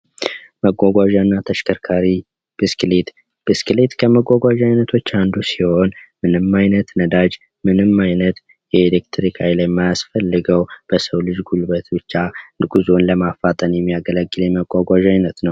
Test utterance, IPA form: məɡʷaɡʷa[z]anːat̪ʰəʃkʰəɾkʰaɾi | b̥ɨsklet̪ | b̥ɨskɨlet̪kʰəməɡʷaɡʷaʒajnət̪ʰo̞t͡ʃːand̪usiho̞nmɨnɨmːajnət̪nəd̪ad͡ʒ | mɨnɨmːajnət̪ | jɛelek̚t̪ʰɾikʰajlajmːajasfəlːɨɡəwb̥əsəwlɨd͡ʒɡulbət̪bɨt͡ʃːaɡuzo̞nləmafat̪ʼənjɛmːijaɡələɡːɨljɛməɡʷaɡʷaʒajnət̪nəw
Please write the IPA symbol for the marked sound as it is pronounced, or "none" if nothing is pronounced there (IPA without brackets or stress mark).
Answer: ʒ